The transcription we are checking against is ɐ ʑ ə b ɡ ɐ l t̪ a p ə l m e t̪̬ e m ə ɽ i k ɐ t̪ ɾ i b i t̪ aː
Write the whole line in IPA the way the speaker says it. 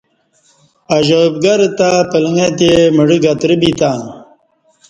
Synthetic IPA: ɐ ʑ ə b ɡ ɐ ɾ t̪ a p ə l ŋ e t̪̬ e m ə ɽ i ɡ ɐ t̪ ɾ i b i t̪ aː